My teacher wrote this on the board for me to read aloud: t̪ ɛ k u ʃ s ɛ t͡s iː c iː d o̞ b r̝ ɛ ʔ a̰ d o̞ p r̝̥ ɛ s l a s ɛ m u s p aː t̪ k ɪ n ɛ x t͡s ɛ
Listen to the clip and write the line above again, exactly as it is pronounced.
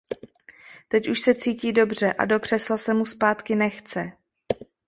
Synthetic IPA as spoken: t̪ ɛ c u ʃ s ɛ t͡s iː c iː d o̞ b r̝ ɛ ʔ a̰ d o̞ k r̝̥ ɛ s l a s ɛ m u s p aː t̪ k ɪ n ɛ x t͡s ɛ